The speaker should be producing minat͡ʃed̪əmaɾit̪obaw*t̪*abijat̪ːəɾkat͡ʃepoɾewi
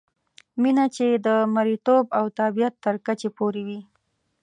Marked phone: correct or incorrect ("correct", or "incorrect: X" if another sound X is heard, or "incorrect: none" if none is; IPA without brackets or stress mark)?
correct